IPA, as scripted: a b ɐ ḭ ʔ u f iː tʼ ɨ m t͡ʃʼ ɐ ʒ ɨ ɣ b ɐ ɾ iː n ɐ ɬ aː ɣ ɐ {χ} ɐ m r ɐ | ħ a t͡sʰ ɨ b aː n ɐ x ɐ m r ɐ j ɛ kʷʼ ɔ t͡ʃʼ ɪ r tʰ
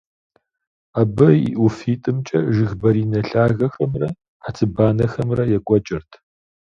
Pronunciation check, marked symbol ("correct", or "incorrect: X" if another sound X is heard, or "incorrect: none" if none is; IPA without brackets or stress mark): incorrect: x